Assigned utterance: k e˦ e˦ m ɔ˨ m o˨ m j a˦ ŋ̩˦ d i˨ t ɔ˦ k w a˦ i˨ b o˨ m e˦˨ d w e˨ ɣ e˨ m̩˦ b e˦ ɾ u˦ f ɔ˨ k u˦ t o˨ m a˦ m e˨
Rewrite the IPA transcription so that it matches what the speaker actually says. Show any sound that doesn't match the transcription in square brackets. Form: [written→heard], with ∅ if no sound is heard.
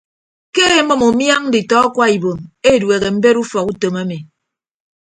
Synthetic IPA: k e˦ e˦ m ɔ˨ m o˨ m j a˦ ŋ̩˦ d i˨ t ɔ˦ k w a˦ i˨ b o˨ m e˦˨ d w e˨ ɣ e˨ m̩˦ b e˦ ɾ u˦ f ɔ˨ k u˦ t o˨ m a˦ m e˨